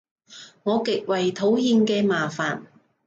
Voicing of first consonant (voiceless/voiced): voiced